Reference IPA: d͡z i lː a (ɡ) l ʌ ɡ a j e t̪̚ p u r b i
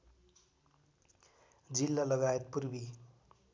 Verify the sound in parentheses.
incorrect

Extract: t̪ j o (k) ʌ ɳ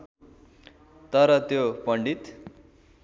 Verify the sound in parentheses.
incorrect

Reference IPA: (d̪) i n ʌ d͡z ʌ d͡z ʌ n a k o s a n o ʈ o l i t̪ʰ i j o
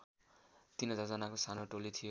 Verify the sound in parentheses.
incorrect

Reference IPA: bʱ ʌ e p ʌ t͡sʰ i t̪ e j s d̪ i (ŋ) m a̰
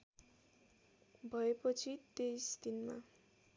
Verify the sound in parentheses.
incorrect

